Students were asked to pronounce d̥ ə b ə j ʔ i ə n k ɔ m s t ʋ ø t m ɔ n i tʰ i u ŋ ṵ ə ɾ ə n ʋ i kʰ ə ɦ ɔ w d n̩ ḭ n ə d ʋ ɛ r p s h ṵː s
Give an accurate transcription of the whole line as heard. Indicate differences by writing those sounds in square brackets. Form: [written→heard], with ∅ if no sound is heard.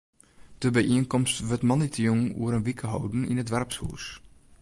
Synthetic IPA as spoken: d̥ ə b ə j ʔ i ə n k ɔ m s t ʋ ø t m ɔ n i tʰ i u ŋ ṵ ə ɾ ə n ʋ i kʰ ə ɦ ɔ w d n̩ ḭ n ə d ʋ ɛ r p s h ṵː s